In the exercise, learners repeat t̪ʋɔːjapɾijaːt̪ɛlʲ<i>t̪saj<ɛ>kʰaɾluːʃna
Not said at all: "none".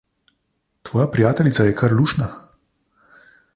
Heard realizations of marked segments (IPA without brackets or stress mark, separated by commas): i, ɛ